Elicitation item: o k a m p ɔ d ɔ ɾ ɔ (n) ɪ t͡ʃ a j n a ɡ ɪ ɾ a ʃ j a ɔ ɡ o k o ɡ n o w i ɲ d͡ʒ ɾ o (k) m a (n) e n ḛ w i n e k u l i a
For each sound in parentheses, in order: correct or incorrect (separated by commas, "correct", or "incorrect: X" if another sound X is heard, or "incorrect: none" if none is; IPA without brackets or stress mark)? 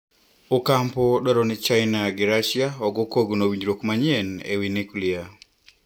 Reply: correct, correct, incorrect: ɲ